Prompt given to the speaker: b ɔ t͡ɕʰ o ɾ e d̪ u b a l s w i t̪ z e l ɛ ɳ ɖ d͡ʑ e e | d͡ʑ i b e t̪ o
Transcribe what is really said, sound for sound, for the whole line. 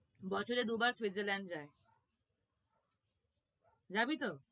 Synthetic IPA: b ɔ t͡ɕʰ o ɾ e d̪ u b a ɾ s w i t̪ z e l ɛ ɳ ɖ d͡ʑ a e | d͡ʑ a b i t̪ o